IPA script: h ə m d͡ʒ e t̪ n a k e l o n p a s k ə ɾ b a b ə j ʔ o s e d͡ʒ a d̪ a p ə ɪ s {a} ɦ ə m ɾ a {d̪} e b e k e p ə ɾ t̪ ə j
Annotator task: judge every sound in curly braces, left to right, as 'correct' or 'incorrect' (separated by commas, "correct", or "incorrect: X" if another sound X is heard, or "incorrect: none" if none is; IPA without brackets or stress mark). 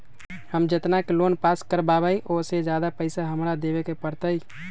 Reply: correct, correct